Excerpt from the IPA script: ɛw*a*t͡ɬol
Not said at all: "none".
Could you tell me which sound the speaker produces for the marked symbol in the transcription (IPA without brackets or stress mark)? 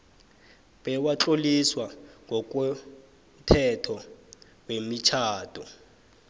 a